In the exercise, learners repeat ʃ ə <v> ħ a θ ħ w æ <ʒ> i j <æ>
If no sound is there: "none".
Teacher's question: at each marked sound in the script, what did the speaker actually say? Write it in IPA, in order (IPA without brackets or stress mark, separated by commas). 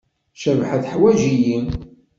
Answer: v, ʒ, i